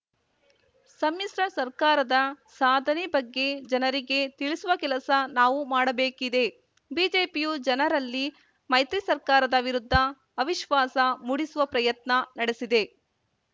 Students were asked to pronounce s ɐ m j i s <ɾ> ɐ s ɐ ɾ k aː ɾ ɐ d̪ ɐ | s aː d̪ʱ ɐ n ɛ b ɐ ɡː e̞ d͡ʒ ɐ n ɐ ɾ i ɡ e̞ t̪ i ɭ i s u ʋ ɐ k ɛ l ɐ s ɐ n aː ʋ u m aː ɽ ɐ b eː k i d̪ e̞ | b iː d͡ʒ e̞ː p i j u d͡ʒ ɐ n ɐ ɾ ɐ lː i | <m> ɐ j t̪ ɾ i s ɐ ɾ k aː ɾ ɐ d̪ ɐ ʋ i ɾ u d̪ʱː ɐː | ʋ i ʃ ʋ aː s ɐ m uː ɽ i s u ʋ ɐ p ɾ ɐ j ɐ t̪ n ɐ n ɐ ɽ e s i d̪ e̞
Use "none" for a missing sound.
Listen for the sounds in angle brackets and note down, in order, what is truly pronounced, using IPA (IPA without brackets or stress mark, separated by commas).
ɾ, m